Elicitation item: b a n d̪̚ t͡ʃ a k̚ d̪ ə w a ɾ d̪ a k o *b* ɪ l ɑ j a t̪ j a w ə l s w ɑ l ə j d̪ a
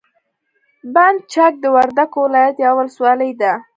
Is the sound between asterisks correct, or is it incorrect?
incorrect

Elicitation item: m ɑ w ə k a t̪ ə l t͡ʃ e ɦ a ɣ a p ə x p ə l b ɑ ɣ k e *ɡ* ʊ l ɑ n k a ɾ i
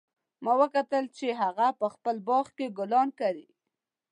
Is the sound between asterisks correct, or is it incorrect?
correct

